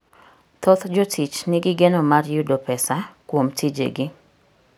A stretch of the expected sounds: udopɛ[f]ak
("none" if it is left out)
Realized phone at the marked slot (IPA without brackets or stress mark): s